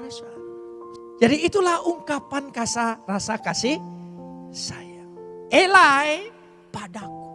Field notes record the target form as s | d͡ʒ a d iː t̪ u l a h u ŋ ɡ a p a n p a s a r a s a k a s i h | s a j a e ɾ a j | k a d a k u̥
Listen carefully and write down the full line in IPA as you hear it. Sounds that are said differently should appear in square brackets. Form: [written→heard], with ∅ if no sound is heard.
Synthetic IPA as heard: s | d͡ʒ a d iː t̪ u l a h u ŋ [ɡ→k] a p a n [p→k] a s a r a s a k a s i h | s a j a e [ɾ→l] a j | [k→p] a d a k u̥

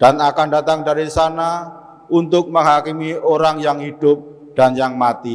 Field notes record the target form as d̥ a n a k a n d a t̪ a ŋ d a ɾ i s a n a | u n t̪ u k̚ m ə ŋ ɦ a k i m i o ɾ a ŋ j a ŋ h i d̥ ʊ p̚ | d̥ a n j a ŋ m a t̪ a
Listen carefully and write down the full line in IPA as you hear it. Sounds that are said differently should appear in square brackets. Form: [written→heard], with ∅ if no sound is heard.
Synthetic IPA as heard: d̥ a n a k a n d a t̪ a ŋ d a ɾ i s a n a | u n t̪ [u→ʊ] k̚ m ə ŋ ɦ a k i m i o ɾ a ŋ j a ŋ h i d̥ ʊ p̚ | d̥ a n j a ŋ m a t̪ [a→i]

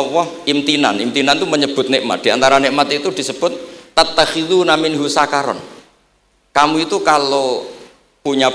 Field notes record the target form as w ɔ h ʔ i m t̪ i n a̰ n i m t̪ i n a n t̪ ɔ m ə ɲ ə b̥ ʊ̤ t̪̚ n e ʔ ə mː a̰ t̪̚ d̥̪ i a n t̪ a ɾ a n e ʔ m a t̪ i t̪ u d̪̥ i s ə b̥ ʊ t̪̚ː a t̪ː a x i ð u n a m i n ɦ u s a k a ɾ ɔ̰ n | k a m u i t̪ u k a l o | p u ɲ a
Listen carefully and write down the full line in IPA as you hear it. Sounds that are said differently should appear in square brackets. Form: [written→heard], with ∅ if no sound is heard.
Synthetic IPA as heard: w ɔ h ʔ i m t̪ i n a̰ n i m t̪ i n a n t̪ [ɔ→u] m ə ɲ ə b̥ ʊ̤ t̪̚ n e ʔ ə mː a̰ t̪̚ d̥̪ i a n t̪ a ɾ a n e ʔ m a t̪ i t̪ u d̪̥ i s ə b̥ ʊ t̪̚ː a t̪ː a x i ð u n a m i n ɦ u s a k a ɾ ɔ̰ n | k a m u i t̪ u k a l o | p u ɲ a

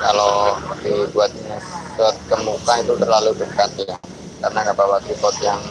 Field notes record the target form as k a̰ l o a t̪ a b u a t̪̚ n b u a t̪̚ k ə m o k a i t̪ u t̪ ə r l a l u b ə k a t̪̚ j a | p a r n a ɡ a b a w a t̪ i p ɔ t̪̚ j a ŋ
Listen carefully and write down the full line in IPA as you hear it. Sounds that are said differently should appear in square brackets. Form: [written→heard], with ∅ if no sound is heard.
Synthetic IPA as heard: k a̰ l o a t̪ [a→i] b u a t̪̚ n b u a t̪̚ k ə m [o→u] k a i t̪ u t̪ ə r l a l u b ə k a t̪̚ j a | [p→k] a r n a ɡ a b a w a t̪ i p ɔ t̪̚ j a ŋ

